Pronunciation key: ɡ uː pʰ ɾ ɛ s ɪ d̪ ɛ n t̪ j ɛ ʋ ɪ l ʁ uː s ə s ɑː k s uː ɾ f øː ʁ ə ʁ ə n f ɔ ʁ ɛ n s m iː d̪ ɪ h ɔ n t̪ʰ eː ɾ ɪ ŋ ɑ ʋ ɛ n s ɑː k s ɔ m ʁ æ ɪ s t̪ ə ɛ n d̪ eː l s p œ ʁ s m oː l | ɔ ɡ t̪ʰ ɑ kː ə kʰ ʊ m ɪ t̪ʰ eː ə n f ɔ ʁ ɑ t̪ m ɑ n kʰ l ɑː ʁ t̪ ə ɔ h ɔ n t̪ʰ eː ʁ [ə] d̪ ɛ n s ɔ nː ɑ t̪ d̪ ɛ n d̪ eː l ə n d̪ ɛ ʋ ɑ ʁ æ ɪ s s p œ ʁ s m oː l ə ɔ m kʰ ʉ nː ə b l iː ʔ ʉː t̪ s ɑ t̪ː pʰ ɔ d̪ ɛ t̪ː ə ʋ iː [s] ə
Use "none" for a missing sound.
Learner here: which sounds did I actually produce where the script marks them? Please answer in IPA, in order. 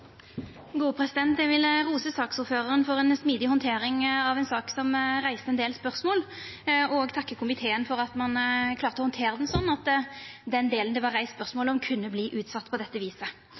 ə, s

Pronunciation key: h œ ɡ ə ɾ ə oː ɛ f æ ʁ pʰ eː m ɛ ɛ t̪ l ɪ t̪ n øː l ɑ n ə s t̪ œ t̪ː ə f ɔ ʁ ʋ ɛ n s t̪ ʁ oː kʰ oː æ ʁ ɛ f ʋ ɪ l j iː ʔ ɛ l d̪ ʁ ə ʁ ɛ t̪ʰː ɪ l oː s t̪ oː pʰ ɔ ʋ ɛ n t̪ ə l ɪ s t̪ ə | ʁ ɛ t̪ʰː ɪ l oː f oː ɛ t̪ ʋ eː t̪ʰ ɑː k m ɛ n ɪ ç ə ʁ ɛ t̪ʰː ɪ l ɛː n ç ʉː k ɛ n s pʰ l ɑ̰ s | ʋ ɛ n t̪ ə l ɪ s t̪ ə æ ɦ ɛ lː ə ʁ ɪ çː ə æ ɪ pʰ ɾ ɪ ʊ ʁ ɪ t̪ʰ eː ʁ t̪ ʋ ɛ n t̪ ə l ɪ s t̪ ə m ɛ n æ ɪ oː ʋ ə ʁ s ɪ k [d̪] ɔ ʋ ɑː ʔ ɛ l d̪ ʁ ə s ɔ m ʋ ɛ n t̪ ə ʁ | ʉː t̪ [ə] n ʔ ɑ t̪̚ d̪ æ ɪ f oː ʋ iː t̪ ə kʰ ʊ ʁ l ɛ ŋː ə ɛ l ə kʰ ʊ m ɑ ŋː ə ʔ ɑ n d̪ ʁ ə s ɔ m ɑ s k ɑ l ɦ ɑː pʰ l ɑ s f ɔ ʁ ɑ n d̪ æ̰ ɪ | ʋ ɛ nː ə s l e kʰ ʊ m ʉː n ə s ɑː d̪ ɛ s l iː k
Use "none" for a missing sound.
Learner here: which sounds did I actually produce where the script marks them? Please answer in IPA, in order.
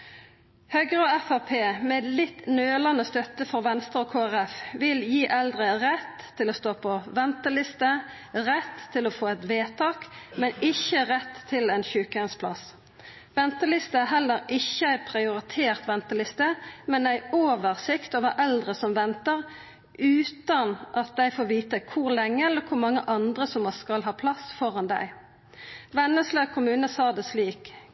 t̪, ɑ

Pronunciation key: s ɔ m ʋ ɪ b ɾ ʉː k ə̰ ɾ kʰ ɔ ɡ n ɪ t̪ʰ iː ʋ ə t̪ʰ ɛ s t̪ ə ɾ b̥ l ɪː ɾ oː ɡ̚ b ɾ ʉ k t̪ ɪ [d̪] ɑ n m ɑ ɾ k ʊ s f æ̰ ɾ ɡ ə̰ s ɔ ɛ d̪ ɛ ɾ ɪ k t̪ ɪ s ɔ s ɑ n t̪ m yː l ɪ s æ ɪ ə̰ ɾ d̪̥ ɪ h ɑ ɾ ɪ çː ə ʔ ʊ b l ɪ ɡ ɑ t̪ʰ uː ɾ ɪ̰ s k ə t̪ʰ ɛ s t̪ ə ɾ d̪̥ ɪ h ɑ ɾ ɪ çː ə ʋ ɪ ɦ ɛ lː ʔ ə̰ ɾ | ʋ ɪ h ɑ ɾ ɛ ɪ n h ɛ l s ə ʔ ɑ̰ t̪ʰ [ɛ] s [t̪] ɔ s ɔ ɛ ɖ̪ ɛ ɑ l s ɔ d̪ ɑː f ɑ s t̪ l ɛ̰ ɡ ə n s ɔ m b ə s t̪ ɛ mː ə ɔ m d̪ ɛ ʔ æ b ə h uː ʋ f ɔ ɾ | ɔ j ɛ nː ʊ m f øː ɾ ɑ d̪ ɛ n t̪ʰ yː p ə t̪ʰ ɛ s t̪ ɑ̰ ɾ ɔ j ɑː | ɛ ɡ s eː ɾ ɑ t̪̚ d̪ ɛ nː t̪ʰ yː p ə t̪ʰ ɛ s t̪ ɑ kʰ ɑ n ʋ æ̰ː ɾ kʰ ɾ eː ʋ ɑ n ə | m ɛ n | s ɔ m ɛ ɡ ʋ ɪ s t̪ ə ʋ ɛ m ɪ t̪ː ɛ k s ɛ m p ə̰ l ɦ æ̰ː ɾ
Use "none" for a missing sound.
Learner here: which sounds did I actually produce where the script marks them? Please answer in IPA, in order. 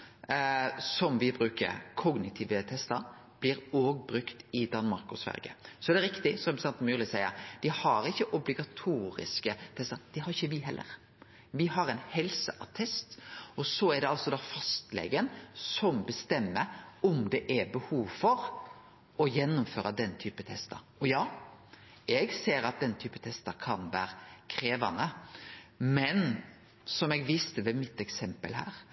d̪, ɛ, t̪

